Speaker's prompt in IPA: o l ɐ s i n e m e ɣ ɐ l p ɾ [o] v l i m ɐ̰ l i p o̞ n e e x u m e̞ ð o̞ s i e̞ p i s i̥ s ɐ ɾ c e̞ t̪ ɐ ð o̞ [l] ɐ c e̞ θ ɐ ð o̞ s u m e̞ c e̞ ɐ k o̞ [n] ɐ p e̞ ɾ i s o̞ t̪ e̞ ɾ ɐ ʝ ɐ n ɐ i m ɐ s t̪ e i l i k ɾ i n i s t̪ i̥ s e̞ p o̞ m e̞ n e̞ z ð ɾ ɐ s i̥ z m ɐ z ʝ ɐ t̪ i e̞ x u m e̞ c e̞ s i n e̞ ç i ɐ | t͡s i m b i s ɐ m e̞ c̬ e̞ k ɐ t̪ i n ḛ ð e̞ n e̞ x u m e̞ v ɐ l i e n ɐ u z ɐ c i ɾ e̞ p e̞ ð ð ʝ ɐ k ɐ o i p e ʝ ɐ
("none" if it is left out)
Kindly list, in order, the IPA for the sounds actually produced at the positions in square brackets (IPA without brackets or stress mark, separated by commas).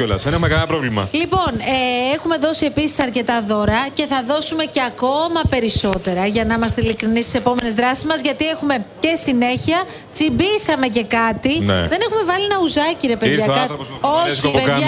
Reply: o, ɾ, m